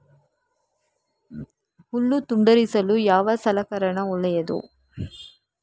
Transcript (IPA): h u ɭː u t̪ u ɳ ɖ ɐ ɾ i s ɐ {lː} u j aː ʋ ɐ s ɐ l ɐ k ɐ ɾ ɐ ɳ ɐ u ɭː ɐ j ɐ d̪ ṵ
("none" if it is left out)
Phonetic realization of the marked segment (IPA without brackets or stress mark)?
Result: l